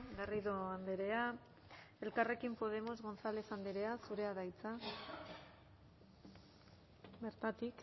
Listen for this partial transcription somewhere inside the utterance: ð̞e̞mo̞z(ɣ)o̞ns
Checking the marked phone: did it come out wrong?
no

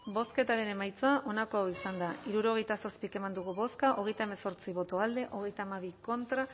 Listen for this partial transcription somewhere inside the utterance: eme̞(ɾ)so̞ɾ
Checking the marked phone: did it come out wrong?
yes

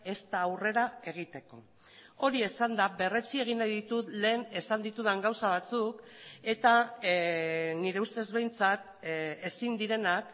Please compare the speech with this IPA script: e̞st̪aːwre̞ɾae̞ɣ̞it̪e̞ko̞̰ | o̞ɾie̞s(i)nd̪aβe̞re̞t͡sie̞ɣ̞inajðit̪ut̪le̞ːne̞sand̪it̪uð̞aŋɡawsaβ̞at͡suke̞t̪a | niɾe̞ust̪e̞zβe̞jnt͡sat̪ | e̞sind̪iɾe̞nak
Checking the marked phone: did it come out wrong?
yes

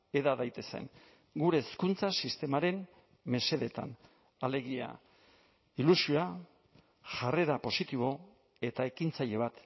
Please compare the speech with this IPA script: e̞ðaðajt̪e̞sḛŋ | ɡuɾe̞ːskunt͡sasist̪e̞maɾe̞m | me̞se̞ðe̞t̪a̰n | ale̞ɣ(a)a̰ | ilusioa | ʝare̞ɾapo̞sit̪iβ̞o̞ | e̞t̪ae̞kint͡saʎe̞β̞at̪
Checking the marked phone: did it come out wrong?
yes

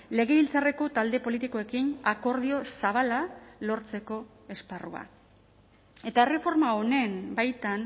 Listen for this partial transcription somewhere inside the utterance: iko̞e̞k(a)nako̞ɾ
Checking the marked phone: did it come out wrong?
yes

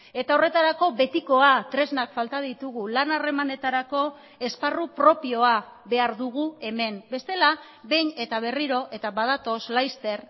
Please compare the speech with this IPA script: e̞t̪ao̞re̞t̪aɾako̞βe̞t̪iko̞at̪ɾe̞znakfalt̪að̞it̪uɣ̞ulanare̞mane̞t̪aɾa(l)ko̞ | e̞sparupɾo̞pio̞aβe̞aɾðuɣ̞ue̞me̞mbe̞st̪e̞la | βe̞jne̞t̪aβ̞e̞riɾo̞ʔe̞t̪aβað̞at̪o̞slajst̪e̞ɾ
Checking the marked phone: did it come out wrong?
yes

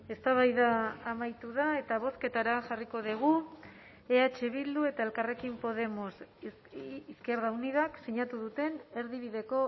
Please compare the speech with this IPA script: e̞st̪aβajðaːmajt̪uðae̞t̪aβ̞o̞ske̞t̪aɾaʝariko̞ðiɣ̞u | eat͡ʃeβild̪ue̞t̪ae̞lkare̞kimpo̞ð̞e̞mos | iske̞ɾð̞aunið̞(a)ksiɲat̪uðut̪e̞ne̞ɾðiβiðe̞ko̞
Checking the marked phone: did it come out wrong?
no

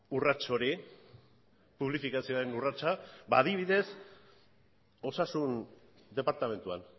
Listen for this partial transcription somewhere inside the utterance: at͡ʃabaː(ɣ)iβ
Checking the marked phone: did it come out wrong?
yes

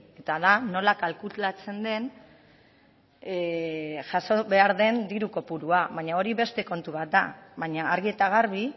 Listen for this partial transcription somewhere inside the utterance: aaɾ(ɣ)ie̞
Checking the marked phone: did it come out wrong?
no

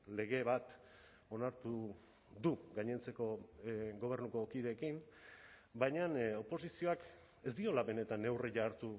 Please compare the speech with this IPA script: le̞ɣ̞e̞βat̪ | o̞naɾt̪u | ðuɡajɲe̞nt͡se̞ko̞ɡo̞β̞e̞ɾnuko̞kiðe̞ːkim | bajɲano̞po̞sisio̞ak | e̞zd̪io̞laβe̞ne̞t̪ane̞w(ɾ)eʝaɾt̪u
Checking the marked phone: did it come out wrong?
yes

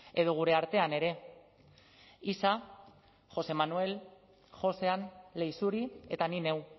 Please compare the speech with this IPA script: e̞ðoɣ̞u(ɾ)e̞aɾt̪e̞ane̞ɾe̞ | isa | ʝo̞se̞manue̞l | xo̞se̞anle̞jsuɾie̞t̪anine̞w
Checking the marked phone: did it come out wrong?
no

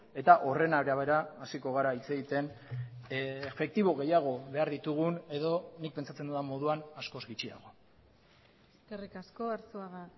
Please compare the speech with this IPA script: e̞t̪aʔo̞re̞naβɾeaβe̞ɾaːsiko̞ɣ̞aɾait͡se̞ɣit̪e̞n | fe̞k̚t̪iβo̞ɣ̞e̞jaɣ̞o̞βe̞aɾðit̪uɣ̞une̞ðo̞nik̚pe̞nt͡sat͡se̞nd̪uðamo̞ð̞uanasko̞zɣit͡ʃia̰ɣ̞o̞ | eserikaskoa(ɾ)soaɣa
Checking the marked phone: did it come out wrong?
no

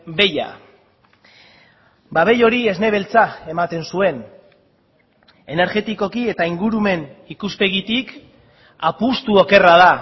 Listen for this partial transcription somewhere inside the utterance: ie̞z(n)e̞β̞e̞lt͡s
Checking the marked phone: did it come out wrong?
no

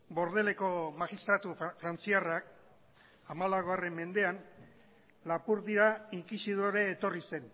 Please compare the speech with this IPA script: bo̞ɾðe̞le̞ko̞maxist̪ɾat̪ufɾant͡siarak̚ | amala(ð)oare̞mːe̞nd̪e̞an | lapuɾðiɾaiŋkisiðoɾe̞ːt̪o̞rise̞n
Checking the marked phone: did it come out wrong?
yes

